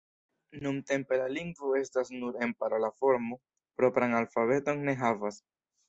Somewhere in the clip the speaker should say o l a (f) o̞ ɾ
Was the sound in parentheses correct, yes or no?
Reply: yes